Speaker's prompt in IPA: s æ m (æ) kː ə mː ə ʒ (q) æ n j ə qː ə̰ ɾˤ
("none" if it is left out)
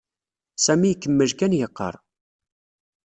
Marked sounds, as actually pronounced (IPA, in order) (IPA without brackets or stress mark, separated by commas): i, k